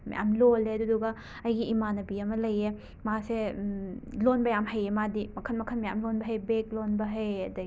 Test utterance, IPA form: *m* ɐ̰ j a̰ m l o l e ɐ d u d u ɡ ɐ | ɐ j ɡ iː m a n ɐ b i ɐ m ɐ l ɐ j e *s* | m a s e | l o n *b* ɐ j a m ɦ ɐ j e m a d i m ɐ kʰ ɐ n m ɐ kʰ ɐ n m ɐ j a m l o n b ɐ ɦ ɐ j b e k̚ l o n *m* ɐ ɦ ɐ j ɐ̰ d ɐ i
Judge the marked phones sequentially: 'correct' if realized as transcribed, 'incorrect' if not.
correct, incorrect: none, correct, incorrect: b

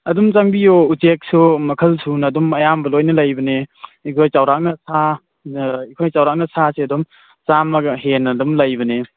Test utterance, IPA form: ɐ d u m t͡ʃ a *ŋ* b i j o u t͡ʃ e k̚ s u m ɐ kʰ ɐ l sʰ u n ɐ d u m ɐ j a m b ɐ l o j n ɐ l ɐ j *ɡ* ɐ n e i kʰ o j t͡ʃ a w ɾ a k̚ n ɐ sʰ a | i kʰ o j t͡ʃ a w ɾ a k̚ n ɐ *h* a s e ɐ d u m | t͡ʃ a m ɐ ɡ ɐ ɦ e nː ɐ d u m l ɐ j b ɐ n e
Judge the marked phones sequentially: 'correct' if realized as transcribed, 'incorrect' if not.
correct, incorrect: b, incorrect: s

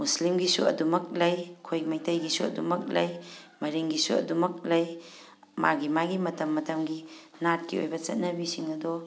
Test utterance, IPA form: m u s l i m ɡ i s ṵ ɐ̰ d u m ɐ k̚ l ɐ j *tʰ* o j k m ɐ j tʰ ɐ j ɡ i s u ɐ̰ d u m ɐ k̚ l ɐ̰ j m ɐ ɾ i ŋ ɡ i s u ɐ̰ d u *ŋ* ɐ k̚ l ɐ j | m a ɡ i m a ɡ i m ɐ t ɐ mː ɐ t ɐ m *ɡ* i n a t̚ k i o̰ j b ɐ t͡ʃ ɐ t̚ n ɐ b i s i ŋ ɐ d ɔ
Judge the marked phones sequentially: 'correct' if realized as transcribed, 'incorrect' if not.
incorrect: kʰ, incorrect: m, correct

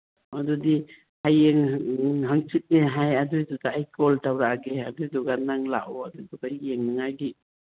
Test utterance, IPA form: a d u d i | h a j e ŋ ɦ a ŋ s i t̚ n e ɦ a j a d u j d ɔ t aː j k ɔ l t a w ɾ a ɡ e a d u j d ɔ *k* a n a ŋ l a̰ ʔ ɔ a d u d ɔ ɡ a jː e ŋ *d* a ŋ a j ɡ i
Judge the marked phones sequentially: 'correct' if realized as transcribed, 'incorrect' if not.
incorrect: ɡ, incorrect: n

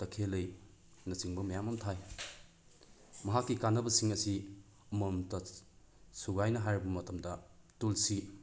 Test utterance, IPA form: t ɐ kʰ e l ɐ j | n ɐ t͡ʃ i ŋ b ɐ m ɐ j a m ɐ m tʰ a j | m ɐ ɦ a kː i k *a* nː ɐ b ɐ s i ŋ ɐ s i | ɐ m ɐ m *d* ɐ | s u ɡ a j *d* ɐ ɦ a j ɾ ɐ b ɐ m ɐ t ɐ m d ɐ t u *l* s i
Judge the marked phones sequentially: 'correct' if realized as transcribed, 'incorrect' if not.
correct, incorrect: t, incorrect: n, correct

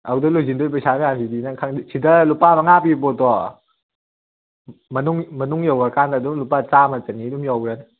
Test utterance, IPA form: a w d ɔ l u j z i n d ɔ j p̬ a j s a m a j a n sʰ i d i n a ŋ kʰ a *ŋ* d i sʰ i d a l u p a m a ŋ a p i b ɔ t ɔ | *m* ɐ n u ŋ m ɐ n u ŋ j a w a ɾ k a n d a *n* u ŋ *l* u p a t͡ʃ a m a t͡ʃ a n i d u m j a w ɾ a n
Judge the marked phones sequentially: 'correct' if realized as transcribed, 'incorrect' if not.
correct, correct, incorrect: d, correct

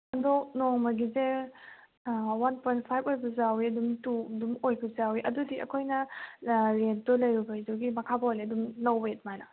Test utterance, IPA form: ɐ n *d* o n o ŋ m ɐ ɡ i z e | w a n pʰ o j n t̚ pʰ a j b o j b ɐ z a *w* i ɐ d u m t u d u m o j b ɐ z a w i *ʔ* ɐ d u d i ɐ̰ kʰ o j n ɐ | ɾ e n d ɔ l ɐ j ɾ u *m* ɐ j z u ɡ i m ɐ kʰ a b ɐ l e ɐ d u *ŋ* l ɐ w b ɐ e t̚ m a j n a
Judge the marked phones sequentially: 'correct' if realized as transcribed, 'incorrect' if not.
correct, correct, correct, incorrect: b, incorrect: m

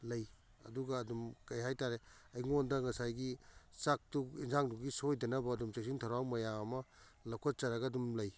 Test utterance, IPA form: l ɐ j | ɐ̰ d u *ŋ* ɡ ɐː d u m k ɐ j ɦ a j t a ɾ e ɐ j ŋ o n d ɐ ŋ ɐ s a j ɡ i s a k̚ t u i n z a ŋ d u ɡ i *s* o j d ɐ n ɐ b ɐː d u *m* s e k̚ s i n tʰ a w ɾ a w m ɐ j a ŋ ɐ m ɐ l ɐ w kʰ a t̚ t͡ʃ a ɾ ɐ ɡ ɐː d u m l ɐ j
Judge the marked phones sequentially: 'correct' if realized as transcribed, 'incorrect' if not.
incorrect: none, correct, correct

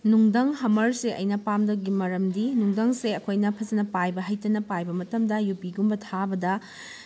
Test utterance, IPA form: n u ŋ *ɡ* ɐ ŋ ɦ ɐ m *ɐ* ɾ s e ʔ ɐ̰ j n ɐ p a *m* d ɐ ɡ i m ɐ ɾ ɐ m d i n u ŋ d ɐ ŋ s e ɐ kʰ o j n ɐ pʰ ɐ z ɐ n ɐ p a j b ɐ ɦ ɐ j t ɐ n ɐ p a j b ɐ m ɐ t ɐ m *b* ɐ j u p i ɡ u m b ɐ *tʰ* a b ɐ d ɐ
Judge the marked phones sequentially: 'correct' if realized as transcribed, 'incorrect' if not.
incorrect: d, correct, correct, incorrect: d, correct

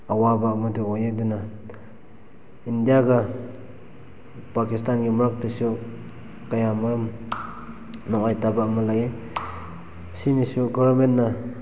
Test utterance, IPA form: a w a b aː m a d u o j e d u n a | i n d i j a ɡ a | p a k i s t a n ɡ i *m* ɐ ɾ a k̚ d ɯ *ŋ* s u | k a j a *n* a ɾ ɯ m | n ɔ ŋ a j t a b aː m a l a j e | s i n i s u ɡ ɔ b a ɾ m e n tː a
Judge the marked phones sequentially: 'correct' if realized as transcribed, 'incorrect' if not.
correct, incorrect: none, incorrect: m

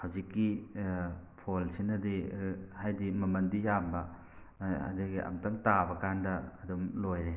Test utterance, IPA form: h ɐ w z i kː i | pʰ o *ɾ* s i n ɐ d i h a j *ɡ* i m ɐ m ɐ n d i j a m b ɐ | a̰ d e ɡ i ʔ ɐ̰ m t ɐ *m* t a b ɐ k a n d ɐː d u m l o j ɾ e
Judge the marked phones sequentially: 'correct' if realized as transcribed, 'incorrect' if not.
incorrect: l, incorrect: d, incorrect: ŋ

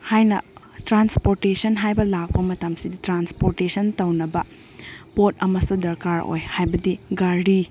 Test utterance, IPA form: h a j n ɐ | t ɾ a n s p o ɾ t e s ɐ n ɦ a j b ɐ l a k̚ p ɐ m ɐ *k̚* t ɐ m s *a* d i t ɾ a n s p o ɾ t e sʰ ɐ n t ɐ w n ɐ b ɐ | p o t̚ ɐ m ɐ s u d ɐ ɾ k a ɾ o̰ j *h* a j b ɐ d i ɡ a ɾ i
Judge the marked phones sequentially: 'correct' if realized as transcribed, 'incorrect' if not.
incorrect: none, incorrect: i, correct

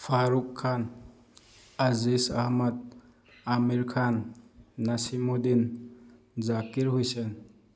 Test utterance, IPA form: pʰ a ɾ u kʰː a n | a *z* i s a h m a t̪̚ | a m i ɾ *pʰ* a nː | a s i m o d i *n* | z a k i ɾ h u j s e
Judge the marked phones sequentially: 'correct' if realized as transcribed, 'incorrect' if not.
correct, incorrect: kʰ, correct

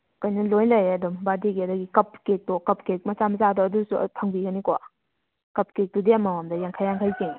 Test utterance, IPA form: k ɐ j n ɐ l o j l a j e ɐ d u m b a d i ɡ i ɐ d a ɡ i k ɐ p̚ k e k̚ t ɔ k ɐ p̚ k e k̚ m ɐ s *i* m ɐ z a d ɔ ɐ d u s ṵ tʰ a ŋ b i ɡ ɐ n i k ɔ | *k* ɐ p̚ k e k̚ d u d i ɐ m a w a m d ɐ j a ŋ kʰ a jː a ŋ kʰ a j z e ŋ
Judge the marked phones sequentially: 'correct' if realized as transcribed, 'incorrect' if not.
incorrect: a, correct

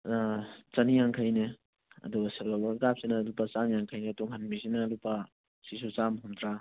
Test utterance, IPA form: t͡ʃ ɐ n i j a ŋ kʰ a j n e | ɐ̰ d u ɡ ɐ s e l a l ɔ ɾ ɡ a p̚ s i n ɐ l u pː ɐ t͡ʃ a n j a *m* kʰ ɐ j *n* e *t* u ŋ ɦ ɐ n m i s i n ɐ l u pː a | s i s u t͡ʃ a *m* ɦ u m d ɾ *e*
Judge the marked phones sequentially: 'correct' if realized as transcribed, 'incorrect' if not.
incorrect: ŋ, correct, correct, correct, incorrect: a

